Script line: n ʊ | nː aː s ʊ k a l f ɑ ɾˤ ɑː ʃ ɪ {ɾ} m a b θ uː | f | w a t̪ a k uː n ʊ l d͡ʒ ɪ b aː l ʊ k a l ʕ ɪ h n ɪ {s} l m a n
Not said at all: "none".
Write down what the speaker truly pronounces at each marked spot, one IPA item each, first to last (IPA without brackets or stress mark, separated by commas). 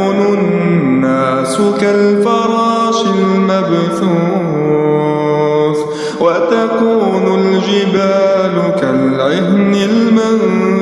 l, none